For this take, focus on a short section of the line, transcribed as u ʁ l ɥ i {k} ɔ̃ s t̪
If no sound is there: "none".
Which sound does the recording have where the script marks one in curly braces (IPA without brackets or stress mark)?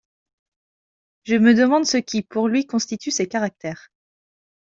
k